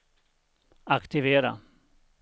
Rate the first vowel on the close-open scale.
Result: open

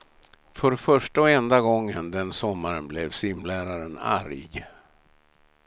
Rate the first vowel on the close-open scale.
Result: mid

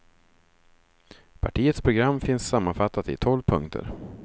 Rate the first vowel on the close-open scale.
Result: open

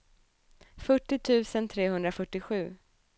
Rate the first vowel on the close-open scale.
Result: mid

